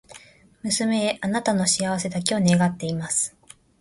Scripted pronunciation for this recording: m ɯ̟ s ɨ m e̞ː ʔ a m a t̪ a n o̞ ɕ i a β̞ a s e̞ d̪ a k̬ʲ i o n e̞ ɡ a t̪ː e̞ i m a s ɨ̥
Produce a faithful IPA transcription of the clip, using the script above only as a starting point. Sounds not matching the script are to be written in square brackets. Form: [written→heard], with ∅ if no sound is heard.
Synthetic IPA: m ɯ̟ s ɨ m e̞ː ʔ a [m→n] a t̪ a n o̞ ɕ i a β̞ a s e̞ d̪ a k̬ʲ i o n e̞ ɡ a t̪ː e̞ i m a s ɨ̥